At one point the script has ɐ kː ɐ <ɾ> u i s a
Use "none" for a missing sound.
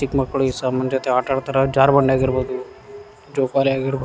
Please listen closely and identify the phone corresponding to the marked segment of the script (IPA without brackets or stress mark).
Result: ɭ